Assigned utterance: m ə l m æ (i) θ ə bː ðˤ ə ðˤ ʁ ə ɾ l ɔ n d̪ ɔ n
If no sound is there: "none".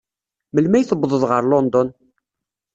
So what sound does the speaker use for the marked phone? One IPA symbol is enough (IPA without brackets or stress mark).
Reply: j